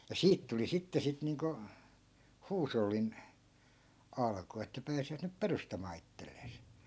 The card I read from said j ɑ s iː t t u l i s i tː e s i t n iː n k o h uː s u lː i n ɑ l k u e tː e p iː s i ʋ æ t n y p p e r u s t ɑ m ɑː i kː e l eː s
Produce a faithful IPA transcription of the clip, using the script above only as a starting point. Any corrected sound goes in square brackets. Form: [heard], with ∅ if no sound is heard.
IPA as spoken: j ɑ s iː t t u l i s i tː e s i t n iː [ŋ] k o h uː s [o] lː i n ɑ l k u e tː [æ] p [æː] s i ʋ æ t n y p p e r u s t ɑ m ɑː i [tː] e [lː] eː s